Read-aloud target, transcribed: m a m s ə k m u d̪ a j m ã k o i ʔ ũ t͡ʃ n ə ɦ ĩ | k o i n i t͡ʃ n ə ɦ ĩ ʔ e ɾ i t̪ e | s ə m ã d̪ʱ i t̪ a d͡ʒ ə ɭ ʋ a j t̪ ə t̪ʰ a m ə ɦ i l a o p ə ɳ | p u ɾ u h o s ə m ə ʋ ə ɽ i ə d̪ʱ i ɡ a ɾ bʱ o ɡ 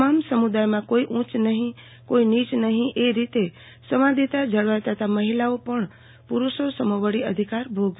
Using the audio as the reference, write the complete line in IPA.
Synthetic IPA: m a m s ə m u d̪ a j m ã k o i ʔ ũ t͡ʃ n ə ɦ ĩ | k o i n i t͡ʃ n ə ɦ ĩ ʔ e ɾ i t̪ e | s ə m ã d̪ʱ i t̪ a d͡ʒ ə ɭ ʋ a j t̪ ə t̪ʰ a m ə ɦ i l a o p ə ɳ | p u ɾ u ʃ o s ə m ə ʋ ə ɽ i ə d̪ʱ i k a ɾ bʱ o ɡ